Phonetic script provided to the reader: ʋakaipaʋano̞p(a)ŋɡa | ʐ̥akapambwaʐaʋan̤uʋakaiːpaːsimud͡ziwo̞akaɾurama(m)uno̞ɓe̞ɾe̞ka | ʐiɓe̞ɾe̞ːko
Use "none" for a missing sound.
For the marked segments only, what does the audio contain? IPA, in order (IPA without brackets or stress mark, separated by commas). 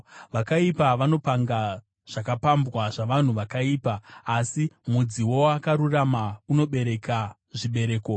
a, none